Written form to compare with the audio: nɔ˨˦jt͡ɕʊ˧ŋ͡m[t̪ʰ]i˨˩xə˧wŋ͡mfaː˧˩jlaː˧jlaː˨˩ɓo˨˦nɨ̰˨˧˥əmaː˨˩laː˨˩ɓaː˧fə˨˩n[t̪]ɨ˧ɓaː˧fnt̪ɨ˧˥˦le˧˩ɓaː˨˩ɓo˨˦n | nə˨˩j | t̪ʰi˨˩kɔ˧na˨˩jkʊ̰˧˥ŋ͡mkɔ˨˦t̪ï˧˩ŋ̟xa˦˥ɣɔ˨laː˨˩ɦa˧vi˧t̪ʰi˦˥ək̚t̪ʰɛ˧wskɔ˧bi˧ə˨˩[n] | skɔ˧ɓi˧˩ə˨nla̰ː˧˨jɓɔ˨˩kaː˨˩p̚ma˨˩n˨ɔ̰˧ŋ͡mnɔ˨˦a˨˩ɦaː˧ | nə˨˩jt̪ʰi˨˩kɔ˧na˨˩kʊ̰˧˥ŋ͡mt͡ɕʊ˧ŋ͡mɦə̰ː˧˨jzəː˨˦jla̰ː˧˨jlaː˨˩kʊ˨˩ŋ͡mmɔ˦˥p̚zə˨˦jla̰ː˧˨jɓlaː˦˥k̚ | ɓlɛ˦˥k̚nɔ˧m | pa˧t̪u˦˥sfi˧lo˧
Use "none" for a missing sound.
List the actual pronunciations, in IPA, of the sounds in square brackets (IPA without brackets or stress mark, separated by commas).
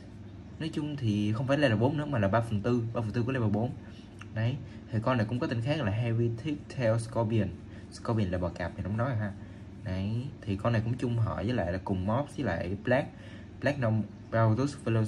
t̪ʰ, t̪, n